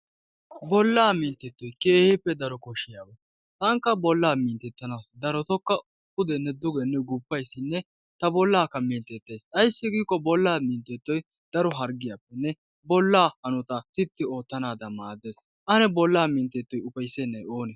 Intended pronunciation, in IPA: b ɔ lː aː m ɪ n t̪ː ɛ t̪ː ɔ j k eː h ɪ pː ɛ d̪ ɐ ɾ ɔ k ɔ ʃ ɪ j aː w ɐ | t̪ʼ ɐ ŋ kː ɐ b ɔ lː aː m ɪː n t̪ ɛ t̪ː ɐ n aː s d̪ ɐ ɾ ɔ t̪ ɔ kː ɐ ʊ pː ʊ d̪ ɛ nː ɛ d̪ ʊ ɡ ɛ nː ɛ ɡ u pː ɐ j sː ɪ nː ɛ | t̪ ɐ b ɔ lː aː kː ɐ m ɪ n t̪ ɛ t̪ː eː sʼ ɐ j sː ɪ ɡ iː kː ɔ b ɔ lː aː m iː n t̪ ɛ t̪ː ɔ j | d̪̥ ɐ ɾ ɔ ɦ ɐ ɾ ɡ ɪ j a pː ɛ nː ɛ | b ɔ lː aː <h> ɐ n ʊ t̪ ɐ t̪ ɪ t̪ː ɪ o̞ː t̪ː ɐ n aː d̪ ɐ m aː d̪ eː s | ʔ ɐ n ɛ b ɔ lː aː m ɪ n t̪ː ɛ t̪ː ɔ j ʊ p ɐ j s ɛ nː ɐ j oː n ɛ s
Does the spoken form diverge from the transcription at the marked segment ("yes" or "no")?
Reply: no